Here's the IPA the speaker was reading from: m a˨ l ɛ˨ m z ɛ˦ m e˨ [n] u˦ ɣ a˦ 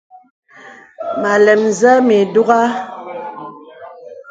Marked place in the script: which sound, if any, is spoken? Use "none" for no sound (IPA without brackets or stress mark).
d